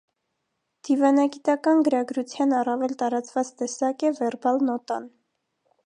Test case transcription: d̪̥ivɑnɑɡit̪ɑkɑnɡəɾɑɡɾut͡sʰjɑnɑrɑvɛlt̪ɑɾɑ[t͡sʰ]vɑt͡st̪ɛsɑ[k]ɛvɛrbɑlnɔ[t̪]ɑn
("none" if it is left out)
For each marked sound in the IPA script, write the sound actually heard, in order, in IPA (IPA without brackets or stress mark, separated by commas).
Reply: t͡s, k, t̪